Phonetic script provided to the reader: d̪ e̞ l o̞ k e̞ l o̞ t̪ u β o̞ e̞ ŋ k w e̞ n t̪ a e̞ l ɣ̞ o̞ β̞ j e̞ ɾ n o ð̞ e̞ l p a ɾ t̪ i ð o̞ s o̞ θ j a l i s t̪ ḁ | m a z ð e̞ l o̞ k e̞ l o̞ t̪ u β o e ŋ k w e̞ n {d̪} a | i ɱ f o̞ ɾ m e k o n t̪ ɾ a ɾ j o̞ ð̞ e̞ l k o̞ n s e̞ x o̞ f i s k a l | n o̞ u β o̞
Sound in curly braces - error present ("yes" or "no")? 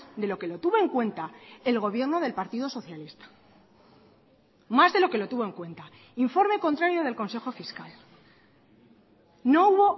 yes